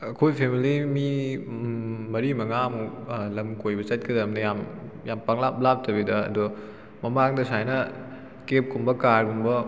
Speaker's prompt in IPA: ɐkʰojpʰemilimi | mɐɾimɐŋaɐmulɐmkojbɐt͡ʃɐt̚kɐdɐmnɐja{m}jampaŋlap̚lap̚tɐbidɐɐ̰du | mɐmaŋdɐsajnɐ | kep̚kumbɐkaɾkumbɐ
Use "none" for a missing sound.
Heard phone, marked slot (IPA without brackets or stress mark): m